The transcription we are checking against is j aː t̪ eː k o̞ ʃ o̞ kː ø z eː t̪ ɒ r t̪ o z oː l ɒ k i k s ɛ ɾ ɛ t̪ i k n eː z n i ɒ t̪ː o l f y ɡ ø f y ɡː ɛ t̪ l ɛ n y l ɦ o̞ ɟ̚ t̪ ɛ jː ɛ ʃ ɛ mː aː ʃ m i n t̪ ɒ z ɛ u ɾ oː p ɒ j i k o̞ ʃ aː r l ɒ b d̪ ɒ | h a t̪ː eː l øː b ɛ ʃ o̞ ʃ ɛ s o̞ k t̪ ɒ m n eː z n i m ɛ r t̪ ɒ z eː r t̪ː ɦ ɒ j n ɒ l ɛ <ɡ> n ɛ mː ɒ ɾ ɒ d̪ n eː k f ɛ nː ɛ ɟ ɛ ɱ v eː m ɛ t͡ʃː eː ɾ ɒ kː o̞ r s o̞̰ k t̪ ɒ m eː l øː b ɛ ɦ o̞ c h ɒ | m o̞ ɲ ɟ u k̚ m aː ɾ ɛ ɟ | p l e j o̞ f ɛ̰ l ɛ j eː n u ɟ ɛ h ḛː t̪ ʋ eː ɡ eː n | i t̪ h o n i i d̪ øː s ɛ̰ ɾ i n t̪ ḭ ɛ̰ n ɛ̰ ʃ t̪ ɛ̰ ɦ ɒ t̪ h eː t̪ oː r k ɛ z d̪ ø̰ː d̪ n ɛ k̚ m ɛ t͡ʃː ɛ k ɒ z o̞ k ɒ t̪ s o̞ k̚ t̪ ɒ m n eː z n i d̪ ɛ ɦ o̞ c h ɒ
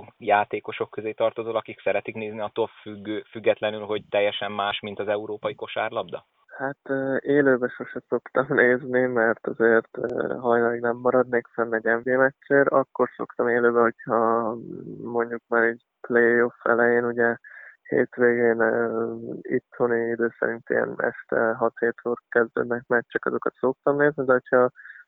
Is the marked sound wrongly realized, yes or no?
no